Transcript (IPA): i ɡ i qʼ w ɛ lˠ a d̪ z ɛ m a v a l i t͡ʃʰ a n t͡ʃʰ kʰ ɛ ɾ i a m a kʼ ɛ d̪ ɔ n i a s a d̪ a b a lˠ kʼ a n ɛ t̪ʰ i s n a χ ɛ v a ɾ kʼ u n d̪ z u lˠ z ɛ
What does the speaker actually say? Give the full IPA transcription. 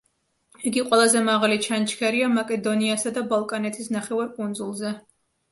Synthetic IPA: i ɡ i qʼ w ɛ lˠ a z ɛ m a ʁ a l i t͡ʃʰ a n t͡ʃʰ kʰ ɛ ɾ i a m a kʼ ɛ d̪ ɔ n i a s a d̪ a b a lˠ kʼ a n ɛ t̪ʰ i s n a χ ɛ v a ɾ kʼ u n d̪ z u lˠ z ɛ